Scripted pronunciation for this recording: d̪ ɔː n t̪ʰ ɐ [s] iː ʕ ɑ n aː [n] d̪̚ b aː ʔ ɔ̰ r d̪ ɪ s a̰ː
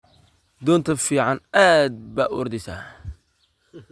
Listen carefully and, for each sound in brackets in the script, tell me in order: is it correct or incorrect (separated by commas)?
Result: incorrect, incorrect